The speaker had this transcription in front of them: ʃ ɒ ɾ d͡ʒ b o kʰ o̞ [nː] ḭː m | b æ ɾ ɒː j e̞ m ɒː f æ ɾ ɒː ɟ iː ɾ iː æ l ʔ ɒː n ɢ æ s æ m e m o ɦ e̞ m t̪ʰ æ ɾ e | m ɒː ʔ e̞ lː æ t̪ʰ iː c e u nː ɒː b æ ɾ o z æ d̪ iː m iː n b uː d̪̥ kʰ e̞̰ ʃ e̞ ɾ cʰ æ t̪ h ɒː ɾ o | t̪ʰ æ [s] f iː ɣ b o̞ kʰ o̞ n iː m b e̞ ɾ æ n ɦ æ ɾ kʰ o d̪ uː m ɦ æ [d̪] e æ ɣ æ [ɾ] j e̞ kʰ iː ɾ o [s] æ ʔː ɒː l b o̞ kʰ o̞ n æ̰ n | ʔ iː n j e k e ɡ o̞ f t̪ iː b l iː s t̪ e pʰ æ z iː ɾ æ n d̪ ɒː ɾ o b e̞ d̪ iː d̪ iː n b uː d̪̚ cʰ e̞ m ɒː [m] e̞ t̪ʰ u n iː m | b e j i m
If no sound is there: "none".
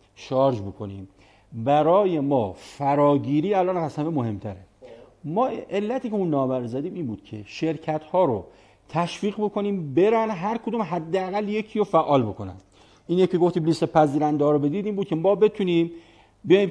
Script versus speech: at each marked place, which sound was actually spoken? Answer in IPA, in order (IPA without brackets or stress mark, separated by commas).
n, ʃ, d̪ː, l, f, b